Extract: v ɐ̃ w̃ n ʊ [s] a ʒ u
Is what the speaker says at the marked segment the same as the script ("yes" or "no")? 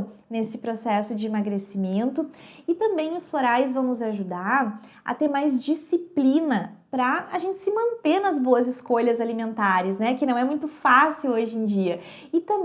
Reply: no